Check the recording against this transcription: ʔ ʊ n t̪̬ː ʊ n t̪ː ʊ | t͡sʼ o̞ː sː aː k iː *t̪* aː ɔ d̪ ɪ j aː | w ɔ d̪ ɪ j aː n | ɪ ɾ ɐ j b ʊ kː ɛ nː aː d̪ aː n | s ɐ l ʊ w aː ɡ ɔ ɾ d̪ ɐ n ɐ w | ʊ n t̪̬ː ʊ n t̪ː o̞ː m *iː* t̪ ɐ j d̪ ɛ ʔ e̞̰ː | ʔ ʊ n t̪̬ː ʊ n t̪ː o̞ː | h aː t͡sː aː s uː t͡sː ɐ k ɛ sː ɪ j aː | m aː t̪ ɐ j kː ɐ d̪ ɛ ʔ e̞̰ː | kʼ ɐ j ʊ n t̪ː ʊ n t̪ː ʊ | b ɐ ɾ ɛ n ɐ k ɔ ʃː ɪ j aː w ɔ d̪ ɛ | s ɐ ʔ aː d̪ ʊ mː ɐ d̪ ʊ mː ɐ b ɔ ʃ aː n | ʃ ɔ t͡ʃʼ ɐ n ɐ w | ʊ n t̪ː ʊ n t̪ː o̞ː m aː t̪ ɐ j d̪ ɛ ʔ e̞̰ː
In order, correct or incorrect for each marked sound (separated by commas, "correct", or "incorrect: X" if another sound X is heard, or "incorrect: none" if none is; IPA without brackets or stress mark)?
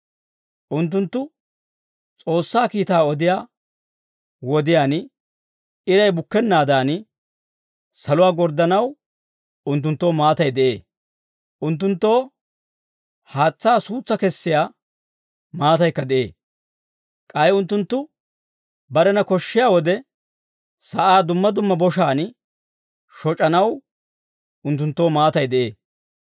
correct, incorrect: aː